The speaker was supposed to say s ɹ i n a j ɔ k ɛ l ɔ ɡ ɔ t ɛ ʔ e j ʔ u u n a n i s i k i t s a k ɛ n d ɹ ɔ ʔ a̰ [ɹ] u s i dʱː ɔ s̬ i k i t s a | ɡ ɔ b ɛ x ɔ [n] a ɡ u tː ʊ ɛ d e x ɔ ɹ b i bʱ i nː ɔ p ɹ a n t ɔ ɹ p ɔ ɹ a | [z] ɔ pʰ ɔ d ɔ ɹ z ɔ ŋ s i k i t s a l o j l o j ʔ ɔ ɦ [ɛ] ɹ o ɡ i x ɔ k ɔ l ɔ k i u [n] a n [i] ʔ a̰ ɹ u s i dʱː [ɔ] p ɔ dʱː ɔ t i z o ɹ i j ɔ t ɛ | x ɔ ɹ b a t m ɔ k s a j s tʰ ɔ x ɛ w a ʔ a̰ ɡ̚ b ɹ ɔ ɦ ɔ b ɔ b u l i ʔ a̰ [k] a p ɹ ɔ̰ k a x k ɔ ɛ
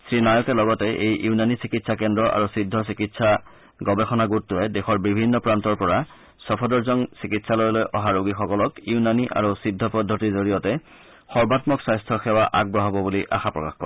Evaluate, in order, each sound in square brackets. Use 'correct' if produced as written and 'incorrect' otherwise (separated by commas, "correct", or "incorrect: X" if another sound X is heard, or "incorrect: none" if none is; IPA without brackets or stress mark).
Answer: correct, correct, incorrect: s, incorrect: a, correct, correct, correct, incorrect: x